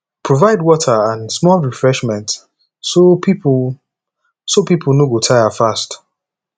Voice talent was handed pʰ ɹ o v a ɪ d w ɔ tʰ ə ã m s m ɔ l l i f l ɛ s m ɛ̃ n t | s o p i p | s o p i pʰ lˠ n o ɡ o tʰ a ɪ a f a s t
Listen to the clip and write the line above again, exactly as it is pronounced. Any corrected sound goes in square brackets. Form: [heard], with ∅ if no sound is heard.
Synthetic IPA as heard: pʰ ɹ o v a ɪ d w ɔ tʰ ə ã [n] s m ɔ l [ɹ] i f [ɹ] ɛ [ʃ] m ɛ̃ n t | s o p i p | s o p i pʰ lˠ n o ɡ o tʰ a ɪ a f a s t

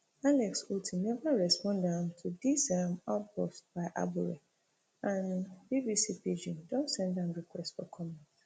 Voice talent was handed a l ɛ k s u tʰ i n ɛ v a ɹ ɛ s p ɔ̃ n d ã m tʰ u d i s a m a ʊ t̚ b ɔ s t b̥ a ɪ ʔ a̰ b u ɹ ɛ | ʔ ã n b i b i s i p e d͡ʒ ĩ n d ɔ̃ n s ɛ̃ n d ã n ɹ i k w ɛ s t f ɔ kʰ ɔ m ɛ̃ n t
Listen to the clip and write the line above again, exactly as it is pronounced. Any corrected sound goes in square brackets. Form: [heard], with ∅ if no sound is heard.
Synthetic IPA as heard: a l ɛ k s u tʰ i n ɛ v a ɹ ɛ s p ɔ̃ n d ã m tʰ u d i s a m a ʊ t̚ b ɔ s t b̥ a ɪ ʔ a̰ b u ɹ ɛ | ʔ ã n b i b i s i p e d͡ʒ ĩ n d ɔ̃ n s ɛ̃ n d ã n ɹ i k w ɛ s t f ɔ kʰ ɔ m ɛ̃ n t

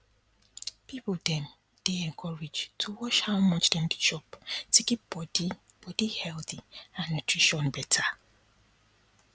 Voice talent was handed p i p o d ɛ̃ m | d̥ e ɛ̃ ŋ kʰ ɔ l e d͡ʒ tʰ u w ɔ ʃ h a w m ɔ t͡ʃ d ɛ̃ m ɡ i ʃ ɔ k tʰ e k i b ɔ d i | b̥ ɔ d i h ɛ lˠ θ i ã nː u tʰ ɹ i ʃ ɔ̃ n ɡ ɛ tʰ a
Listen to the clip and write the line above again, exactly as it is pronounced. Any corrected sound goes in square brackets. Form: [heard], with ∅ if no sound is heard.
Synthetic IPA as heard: p i p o d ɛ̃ m | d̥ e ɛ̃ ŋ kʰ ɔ [ɹ] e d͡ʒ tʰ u w ɔ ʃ h a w m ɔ t͡ʃ d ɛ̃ m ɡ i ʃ ɔ [p] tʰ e k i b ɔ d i | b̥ ɔ d i h ɛ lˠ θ i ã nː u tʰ ɹ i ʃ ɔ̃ n [b] ɛ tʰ a

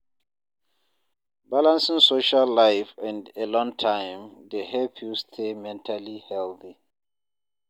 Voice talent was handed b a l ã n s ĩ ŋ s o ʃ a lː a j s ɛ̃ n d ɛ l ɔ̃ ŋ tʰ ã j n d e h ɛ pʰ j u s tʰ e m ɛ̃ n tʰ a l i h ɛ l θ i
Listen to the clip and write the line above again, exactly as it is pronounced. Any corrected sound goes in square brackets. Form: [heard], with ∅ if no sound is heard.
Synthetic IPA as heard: b a l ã n s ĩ ŋ s o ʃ a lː a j [f] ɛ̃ n d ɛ l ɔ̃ ŋ tʰ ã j [m] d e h ɛ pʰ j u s tʰ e m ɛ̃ n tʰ a l i h ɛ l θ i

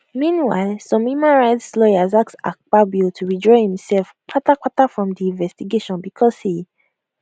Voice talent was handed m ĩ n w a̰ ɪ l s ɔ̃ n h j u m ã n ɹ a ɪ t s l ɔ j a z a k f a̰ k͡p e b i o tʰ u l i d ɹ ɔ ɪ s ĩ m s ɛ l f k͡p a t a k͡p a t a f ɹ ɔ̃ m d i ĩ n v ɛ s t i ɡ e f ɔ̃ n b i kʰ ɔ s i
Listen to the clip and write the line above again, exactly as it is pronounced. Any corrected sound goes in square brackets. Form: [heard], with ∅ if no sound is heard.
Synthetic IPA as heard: m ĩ n w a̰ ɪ l s ɔ̃ [m] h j u m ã n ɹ a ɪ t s l ɔ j a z a k [s] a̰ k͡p [a] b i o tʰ u [ɹ] i d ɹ ɔ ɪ [h] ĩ m s ɛ l f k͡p a t a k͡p a t a f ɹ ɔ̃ m d i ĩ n v ɛ s t i ɡ e [ʃ] ɔ̃ n b i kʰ ɔ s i

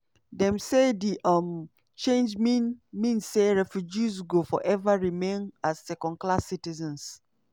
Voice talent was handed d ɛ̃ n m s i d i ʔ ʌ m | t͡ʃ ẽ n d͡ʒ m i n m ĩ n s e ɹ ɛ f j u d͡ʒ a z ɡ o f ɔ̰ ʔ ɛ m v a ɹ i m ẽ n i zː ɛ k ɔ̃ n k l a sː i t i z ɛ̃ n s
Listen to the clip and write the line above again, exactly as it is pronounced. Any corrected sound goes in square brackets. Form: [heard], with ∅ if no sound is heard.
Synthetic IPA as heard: d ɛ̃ [∅] m s [e] d i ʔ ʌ m | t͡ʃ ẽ n d͡ʒ m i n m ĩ n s e ɹ ɛ f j u d͡ʒ [i] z ɡ o f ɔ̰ ʔ ɛ [∅] v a ɹ i m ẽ n [a] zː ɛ k ɔ̃ n k l a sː i t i z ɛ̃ n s

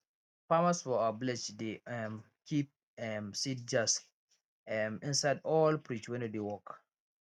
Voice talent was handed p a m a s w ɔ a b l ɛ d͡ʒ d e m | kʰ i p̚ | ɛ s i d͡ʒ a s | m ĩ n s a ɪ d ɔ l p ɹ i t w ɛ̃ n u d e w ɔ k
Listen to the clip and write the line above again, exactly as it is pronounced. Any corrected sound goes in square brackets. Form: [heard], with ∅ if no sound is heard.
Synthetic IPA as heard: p a m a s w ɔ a b l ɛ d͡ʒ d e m | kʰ i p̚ | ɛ s i d͡ʒ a s | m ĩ n s a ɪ d ɔ l p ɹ i [t͡ʃ] w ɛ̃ n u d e w ɔ k

